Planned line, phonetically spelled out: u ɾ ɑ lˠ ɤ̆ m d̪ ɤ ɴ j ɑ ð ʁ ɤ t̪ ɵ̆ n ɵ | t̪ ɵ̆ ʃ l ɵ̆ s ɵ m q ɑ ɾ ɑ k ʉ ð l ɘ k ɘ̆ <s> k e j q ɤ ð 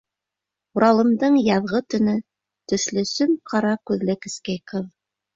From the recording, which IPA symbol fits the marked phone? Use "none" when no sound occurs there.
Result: s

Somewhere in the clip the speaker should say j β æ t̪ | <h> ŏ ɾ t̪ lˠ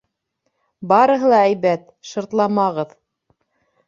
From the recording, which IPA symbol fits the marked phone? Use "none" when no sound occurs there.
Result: ʃ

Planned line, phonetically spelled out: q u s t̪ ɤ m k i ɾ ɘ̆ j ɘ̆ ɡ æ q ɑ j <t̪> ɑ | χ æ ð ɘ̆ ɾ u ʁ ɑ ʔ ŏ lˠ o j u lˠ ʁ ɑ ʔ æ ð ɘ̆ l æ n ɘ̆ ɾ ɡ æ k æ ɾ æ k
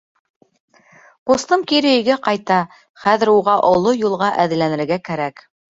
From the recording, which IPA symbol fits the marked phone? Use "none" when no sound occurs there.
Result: t̪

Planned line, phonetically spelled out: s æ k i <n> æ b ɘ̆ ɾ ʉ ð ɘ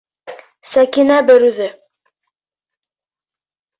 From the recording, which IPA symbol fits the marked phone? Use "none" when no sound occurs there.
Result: n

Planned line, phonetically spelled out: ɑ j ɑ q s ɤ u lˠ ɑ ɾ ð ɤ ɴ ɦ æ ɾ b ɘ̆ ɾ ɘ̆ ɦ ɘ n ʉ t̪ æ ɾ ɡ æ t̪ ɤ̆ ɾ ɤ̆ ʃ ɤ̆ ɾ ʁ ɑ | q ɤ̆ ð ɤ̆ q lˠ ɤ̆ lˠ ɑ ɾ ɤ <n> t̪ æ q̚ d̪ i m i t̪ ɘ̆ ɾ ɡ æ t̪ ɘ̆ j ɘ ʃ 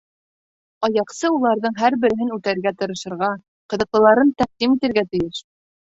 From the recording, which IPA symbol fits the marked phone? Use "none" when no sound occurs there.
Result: n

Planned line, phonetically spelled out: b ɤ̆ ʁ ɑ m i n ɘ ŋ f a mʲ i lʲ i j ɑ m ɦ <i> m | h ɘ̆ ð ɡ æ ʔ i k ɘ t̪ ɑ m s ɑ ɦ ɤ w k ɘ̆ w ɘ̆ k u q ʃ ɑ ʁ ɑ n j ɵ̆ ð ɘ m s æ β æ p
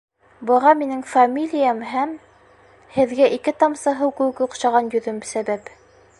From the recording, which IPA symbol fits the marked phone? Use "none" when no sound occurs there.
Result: æ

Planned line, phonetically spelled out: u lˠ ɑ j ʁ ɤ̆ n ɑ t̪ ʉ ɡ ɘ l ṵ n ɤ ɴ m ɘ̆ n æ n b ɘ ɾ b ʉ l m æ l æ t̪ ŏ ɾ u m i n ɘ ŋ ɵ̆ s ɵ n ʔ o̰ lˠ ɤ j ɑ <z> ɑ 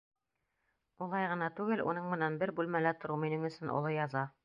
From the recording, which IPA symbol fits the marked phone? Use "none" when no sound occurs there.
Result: z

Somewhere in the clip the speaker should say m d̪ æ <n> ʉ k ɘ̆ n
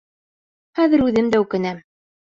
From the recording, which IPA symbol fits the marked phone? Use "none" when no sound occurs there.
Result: none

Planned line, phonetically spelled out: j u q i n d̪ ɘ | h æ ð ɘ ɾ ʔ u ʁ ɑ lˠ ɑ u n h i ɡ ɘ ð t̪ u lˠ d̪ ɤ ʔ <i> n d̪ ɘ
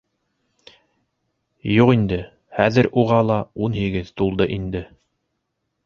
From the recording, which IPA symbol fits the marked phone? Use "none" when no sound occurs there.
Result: i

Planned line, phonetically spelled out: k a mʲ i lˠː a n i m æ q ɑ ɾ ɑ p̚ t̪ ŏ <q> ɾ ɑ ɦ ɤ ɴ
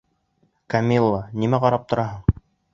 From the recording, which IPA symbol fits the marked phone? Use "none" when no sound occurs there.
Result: none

